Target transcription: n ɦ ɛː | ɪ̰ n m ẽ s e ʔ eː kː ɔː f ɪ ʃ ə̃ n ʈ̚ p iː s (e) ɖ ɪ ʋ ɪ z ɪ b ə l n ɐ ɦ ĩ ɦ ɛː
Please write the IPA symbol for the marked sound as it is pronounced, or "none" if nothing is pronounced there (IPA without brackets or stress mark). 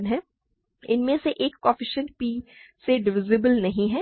e